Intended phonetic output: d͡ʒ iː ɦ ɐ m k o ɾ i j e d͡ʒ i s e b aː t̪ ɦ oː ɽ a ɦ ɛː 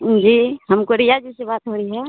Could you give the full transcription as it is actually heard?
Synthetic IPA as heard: d͡ʒ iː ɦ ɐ m k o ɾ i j a d͡ʒ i s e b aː t̪ ɦ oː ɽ i ɦ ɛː